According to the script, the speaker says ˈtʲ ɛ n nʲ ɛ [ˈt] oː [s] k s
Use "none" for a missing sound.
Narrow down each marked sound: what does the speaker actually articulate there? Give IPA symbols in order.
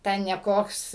k, none

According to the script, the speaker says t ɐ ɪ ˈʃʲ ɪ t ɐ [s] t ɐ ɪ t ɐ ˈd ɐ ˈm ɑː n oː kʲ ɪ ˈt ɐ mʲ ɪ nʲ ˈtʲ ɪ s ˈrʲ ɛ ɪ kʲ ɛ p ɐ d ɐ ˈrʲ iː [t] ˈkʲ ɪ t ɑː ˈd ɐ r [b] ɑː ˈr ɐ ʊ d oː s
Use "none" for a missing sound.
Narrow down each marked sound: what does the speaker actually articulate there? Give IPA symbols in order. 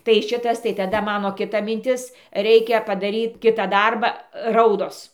s, t, b

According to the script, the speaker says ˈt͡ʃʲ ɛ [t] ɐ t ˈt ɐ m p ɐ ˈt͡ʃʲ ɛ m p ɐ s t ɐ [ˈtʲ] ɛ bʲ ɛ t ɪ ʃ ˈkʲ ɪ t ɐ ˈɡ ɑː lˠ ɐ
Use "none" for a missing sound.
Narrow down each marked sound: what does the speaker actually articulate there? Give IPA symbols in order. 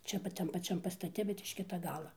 p, tʲ

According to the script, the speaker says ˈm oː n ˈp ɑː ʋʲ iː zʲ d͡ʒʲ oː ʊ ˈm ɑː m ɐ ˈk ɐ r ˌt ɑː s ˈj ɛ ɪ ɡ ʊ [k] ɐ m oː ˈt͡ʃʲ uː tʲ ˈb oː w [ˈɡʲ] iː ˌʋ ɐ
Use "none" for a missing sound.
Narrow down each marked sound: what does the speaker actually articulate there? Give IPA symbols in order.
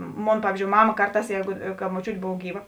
k, ɡʲ

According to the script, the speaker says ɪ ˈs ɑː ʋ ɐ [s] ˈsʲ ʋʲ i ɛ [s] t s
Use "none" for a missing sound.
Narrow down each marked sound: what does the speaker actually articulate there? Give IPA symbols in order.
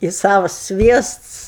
s, s

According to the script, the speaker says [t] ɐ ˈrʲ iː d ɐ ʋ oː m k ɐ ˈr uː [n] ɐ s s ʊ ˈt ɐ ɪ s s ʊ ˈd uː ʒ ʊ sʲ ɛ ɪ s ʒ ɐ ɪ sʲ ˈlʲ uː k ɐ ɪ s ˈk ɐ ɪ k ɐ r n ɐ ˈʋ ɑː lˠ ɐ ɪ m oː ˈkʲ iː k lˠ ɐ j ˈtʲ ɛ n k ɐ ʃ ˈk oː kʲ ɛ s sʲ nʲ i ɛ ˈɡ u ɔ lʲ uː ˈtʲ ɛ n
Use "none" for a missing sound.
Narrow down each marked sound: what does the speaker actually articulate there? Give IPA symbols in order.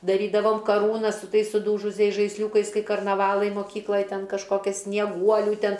d, n

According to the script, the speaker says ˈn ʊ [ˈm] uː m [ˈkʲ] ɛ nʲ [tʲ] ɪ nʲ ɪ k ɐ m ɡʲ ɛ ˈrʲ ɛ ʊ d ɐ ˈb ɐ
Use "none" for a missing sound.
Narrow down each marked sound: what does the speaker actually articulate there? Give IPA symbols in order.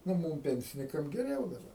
m, pʲ, sʲ

